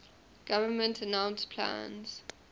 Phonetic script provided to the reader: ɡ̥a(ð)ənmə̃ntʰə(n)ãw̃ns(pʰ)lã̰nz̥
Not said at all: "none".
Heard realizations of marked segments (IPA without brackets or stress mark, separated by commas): v, n, pʰ